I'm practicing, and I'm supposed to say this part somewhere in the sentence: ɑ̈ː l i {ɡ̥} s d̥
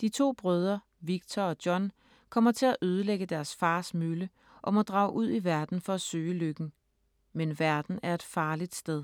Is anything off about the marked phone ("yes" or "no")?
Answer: yes